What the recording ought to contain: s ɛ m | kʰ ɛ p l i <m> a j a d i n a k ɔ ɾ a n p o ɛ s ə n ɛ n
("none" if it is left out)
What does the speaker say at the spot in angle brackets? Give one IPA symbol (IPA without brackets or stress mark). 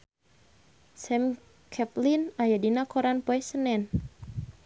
n